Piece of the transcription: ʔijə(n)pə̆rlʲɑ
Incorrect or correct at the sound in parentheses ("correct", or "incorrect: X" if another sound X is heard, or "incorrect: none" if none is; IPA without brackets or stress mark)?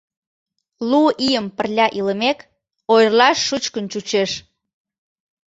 incorrect: m